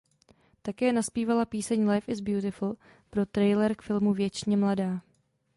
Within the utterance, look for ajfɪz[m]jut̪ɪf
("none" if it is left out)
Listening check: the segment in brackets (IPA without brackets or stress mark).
b